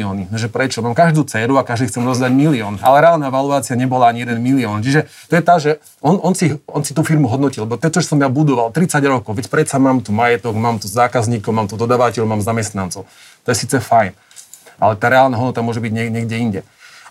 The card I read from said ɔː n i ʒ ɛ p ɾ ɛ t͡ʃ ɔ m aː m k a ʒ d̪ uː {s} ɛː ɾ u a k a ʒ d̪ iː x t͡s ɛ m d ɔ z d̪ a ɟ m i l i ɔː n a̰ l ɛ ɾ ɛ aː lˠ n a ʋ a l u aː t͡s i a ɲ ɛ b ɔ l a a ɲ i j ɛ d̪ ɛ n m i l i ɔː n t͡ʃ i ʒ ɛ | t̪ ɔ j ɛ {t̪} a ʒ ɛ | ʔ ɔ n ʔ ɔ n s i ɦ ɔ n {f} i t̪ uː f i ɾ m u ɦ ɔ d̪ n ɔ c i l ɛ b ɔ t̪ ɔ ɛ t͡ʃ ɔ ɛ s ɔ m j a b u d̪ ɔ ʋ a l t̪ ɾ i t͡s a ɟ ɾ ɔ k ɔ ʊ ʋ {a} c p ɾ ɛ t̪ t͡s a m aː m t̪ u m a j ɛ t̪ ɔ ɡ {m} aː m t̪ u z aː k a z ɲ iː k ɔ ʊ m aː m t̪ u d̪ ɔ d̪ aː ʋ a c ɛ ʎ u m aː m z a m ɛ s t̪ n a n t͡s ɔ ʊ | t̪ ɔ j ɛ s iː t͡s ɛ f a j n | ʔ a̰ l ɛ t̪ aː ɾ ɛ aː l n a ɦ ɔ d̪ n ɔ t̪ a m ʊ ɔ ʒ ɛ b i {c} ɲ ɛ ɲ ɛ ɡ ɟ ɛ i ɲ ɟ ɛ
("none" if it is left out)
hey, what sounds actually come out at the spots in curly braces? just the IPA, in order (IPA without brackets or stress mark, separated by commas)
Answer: t͡s, t̪, s, ɛ, m, ɟ